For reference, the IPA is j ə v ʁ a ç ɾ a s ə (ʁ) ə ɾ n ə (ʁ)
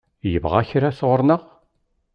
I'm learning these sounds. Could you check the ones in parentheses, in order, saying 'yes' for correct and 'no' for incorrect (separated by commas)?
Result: yes, yes